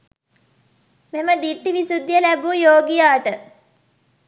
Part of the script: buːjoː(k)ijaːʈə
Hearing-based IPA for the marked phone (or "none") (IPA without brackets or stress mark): ɡ